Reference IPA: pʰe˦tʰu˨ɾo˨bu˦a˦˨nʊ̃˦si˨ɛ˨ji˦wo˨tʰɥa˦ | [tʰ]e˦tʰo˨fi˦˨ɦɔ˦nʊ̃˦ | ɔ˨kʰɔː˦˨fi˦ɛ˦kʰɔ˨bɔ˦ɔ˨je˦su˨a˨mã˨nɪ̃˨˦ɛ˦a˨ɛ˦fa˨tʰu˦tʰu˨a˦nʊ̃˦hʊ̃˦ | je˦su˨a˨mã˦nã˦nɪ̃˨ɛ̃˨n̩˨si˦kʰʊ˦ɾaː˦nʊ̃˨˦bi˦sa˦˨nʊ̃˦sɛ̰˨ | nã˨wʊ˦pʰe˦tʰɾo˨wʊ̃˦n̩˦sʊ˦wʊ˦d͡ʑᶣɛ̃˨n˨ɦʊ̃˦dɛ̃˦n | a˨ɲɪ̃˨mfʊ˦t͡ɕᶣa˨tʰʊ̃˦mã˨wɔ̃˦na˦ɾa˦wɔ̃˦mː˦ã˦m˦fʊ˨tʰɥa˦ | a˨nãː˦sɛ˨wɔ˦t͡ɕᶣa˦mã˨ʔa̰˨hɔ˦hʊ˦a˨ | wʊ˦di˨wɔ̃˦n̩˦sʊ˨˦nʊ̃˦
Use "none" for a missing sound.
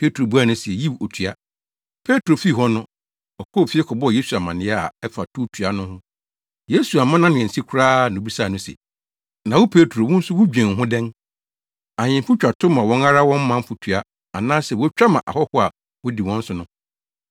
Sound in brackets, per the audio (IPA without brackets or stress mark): pʰ